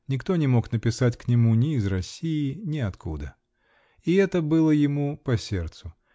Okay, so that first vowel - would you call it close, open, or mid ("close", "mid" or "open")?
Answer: close